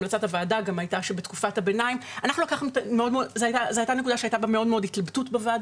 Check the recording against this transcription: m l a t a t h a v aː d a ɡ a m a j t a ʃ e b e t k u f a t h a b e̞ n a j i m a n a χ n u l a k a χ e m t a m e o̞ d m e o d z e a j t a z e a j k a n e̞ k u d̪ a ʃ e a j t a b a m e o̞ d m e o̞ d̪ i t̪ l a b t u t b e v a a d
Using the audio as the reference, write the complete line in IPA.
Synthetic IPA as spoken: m l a t͡s a t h a v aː d a ɡ a m a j t a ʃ e b e t k u f a t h a b e̞ n a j i m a n a χ n u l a k a χ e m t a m e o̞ d m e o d z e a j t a z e a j t a n e̞ k u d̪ a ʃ e a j t a b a m e o̞ d m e o̞ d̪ i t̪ l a b t u t b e v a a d